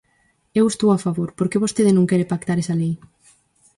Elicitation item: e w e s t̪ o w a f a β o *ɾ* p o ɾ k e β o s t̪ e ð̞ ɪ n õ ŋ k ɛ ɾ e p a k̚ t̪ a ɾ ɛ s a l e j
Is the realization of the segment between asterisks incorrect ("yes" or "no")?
no